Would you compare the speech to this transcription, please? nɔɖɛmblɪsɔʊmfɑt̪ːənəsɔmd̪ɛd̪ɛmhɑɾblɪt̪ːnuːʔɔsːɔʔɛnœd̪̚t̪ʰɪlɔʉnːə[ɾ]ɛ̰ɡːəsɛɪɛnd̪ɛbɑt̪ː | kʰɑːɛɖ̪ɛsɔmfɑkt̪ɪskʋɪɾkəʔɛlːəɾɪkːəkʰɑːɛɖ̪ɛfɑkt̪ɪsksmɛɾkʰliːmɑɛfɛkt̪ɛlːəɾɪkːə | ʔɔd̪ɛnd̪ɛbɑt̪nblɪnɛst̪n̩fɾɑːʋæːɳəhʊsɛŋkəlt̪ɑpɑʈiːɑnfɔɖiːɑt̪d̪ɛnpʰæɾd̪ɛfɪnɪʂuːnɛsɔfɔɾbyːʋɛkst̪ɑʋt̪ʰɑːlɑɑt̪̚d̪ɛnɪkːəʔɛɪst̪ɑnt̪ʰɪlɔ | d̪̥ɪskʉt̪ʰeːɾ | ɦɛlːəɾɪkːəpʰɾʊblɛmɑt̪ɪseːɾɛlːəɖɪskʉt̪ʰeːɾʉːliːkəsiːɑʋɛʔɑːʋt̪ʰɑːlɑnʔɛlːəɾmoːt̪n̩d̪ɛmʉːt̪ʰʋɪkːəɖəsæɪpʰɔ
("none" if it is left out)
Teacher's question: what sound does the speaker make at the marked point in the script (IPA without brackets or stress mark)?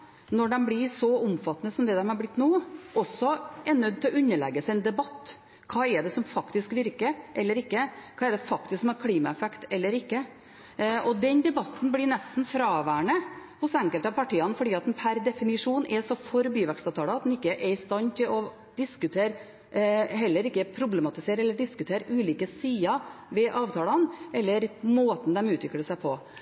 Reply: ɭ